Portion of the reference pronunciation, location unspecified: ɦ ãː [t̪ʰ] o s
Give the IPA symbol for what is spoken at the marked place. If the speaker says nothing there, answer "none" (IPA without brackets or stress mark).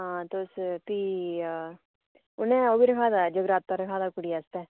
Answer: t̪